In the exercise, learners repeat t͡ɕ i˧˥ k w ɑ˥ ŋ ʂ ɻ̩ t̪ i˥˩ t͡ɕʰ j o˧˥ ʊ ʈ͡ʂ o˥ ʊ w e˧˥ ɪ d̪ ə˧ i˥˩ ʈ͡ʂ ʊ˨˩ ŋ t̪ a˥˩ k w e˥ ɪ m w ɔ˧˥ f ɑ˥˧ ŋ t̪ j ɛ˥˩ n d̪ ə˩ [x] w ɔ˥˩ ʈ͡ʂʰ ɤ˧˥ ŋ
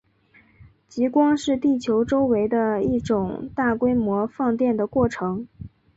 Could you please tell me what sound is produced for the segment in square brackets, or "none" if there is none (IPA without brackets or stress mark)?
k